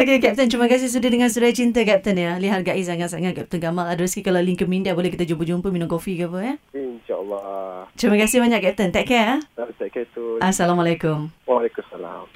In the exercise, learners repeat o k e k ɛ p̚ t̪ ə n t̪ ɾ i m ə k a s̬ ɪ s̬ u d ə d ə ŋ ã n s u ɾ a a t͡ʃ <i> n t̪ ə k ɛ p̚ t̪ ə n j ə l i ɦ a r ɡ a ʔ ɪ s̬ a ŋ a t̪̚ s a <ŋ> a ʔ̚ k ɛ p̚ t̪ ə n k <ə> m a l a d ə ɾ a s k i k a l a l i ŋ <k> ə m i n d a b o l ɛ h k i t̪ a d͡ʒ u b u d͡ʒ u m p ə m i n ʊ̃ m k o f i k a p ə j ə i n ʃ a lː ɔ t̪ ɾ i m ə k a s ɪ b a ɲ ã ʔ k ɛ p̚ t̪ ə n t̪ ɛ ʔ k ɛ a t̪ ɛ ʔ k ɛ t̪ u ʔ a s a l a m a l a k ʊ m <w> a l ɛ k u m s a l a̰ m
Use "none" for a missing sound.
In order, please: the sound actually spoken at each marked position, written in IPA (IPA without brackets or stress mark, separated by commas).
i, ŋ, a, k, w